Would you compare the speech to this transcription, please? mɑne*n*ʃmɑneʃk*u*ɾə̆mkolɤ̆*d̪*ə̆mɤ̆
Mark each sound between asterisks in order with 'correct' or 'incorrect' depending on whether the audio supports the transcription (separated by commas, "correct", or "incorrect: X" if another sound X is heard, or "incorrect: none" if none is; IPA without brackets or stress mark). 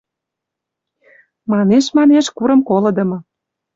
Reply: incorrect: none, correct, correct